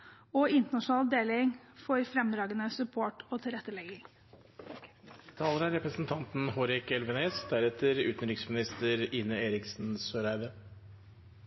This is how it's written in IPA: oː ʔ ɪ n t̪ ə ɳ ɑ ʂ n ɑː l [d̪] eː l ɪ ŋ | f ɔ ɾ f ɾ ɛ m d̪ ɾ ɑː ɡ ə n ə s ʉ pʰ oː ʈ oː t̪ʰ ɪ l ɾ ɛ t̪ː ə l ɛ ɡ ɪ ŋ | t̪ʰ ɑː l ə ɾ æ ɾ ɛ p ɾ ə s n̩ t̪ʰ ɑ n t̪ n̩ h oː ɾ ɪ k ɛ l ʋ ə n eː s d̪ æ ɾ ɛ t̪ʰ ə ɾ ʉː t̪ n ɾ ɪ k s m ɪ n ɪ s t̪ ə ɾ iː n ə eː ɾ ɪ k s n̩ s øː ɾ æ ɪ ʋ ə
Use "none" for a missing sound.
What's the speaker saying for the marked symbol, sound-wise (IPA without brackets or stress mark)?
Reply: d̪